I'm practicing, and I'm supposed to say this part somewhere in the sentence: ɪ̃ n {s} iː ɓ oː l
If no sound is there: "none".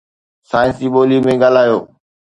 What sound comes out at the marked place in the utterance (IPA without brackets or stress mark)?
s